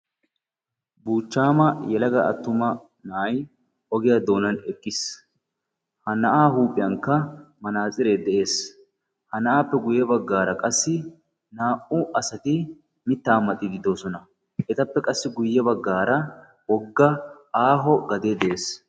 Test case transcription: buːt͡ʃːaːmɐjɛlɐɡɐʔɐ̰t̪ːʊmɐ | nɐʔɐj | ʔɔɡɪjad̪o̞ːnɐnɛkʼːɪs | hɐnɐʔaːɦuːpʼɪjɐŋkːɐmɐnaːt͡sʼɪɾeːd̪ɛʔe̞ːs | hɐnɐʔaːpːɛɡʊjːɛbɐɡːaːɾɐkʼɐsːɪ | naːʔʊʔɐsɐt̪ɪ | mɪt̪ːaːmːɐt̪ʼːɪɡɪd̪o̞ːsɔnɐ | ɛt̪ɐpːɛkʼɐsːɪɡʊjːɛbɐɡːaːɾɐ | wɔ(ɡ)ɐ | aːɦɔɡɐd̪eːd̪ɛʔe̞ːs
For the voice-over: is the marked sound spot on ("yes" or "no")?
no